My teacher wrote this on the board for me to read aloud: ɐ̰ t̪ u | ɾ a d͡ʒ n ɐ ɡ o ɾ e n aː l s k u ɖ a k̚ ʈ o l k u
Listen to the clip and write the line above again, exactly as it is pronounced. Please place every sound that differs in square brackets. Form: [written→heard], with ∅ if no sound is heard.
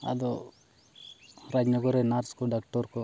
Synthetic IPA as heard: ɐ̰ [t̪→d̪] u | ɾ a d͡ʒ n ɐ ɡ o ɾ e n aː [l→ɾ] s k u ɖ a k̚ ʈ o [l→ɾ] k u